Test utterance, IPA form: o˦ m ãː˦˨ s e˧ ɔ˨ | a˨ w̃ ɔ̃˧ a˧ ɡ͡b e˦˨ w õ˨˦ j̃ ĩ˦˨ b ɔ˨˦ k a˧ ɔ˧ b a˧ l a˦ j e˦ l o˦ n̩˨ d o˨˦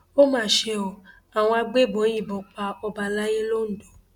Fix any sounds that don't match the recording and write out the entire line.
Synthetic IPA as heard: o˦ m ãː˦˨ ʃ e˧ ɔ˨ | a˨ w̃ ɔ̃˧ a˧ ɡ͡b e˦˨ b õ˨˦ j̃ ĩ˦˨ b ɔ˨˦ k͡p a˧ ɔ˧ b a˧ l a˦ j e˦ l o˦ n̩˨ d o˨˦